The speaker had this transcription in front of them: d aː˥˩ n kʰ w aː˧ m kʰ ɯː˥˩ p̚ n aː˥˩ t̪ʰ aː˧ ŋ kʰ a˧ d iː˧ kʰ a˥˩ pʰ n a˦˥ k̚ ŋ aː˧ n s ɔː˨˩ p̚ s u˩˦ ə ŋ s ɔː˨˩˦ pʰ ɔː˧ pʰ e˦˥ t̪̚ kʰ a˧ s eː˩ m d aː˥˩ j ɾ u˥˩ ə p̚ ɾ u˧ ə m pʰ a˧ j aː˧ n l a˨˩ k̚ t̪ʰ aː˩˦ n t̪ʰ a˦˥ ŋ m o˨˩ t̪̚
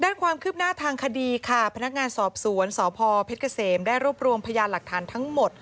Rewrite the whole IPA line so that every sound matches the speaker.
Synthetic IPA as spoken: d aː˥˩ n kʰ w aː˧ m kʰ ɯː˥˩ p̚ n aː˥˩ t̪ʰ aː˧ ŋ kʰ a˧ d iː˧ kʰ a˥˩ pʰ n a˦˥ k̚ ŋ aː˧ n s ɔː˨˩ p̚ s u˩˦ ə n s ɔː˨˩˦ pʰ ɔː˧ pʰ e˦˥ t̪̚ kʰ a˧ s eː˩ m d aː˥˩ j ɾ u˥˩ ə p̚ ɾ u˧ ə m pʰ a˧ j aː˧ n l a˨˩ k̚ t̪ʰ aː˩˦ n t̪ʰ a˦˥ ŋ m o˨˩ t̪̚